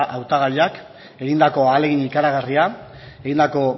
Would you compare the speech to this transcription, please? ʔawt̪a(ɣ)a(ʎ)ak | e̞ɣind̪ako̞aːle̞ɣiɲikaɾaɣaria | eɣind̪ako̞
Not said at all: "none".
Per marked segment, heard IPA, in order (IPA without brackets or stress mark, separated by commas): ɣ, ʎ